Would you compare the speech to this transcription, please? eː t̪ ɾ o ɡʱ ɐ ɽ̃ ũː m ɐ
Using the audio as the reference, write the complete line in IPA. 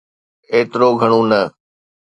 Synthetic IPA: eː t̪ ɾ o ɡʱ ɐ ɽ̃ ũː n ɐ